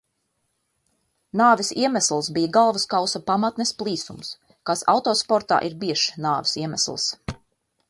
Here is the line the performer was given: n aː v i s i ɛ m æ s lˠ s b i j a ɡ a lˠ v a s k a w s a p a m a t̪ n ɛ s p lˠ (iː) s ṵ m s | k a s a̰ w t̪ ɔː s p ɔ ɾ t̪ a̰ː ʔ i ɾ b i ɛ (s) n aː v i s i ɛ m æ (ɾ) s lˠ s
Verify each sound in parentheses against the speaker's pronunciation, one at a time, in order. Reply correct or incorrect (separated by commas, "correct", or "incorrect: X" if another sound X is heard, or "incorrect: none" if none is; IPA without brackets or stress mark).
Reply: correct, incorrect: ʃ, incorrect: none